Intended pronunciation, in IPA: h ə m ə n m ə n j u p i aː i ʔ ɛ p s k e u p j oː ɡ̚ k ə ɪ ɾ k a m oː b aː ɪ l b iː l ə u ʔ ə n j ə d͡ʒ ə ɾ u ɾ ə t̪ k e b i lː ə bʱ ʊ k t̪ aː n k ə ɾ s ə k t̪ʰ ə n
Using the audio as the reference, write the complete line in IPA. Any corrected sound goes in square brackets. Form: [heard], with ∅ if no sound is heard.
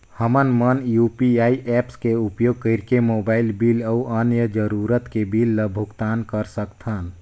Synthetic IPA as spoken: h ə m ə n m ə n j u p i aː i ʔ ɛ p s k e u p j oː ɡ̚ k ə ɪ ɾ k [e] m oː b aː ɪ l b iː l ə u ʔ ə n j ə d͡ʒ ə ɾ u ɾ ə t̪ k e b i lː ə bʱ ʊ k t̪ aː n k ə ɾ s ə k t̪ʰ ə n